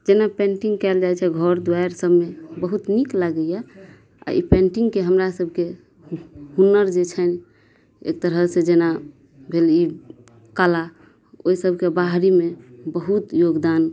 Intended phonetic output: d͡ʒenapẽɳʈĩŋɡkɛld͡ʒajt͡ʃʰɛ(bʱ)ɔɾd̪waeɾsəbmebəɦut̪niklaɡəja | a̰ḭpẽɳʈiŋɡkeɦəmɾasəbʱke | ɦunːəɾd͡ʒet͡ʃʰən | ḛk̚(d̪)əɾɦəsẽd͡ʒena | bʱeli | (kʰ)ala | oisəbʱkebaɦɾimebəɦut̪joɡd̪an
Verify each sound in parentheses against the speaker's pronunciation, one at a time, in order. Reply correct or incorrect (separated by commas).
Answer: incorrect, incorrect, incorrect